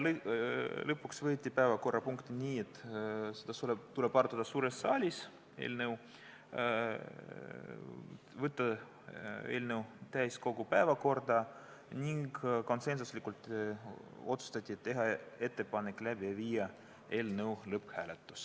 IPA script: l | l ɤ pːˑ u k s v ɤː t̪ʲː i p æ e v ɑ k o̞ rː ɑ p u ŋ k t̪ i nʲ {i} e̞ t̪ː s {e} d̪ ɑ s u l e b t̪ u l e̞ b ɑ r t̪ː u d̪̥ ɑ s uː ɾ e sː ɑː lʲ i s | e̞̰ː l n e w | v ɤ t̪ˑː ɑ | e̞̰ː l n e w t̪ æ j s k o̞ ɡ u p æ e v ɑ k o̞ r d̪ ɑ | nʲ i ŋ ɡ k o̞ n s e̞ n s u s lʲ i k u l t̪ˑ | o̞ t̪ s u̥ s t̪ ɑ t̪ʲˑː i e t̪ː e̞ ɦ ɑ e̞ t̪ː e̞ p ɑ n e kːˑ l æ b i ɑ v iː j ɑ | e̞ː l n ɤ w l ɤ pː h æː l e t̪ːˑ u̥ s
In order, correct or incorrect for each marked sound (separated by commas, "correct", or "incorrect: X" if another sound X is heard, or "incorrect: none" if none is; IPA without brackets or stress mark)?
incorrect: iː, correct